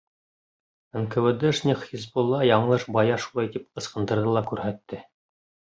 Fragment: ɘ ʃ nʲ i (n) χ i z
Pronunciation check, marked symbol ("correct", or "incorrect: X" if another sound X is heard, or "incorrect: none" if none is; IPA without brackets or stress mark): incorrect: none